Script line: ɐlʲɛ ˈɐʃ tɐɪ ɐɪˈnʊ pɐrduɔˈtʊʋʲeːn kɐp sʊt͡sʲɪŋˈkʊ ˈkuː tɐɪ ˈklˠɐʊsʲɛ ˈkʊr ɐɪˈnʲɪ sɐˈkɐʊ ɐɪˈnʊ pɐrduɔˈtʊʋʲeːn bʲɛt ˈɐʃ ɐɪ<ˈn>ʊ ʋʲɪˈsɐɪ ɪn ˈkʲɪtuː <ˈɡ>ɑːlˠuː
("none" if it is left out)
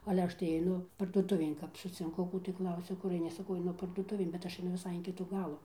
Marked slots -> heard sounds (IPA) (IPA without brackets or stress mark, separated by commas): n, ɡ